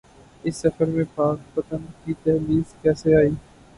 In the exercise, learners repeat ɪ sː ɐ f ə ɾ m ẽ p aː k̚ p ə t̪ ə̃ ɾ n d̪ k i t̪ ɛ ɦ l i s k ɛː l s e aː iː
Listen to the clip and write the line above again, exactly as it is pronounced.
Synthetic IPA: ɪ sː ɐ f ə ɾ m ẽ p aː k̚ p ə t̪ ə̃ n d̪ k i t̪ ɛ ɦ l iː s k ɛː s e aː iː